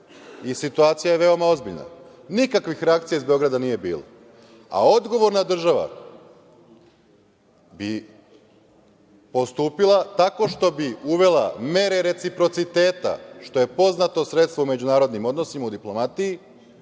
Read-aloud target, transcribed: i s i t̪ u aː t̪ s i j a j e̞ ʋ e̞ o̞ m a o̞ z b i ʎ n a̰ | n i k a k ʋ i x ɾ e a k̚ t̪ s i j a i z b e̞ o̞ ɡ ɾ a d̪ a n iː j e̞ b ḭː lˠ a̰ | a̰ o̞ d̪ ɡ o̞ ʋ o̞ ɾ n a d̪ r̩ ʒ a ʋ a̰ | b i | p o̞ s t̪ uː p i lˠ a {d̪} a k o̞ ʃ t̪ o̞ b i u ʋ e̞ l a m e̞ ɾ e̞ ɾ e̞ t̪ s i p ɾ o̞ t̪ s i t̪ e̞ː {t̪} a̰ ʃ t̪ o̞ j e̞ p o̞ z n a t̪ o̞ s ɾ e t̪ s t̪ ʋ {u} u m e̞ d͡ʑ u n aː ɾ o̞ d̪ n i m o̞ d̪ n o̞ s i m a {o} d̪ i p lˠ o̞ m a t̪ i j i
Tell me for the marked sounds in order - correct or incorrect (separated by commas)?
incorrect, correct, incorrect, incorrect